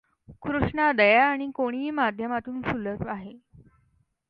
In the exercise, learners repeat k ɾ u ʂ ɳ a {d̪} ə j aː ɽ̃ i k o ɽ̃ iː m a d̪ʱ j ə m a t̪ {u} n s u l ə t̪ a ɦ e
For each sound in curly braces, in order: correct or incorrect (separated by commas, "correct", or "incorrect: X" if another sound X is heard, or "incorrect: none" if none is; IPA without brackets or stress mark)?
correct, incorrect: uː